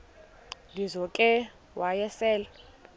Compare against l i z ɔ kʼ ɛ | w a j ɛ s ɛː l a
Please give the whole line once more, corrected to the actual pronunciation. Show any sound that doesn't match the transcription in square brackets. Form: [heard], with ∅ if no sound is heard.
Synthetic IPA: l i z ɔ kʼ ɛ | w a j ɛ s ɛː l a